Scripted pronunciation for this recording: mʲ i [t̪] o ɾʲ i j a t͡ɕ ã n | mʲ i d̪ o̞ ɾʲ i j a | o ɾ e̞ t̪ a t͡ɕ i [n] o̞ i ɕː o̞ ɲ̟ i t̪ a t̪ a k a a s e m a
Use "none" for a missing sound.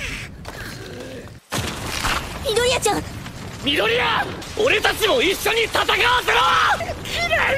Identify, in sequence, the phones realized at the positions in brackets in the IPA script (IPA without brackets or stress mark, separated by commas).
d̪, m